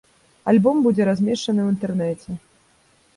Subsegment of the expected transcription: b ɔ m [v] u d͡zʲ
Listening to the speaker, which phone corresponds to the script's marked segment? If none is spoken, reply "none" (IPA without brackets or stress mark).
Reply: b